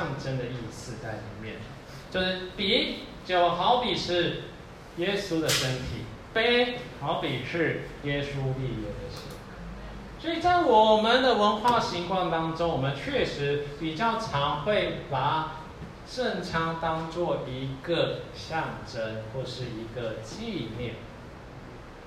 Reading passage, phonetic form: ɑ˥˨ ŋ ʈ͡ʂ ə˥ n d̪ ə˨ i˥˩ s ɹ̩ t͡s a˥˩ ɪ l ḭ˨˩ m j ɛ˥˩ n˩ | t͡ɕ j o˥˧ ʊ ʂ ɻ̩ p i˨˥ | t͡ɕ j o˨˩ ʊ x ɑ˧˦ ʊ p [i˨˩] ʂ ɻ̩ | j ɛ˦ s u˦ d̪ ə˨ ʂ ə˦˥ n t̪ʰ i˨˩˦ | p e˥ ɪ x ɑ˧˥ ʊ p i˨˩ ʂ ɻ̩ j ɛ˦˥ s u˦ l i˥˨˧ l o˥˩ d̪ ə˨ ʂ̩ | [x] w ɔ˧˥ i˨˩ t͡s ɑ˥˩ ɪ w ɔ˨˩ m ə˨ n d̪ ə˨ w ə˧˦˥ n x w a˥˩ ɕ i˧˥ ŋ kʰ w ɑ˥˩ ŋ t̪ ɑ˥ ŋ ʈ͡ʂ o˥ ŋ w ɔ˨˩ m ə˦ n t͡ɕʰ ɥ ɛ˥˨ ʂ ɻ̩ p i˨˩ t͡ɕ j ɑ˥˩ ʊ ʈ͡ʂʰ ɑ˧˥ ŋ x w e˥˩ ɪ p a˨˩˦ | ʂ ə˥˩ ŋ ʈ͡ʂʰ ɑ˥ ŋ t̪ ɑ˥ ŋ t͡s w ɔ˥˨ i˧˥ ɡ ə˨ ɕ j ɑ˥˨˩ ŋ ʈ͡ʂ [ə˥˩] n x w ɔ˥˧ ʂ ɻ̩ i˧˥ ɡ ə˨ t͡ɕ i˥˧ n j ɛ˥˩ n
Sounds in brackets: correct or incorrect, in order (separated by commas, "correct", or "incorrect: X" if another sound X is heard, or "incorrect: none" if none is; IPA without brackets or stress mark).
correct, incorrect: s, incorrect: ə˦